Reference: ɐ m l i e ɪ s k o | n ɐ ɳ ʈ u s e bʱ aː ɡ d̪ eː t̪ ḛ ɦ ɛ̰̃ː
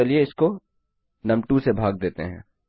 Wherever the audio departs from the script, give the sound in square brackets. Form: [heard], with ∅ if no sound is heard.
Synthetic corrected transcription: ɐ [∅] l i e ɪ s k o | n ɐ [m] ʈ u s e bʱ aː ɡ d̪ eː t̪ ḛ ɦ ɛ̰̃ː